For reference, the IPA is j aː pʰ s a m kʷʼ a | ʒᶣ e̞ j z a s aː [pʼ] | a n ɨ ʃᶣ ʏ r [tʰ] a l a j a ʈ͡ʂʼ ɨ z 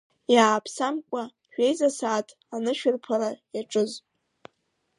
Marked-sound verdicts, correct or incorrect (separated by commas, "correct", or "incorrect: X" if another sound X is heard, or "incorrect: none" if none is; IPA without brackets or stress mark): incorrect: tʼ, incorrect: pʰ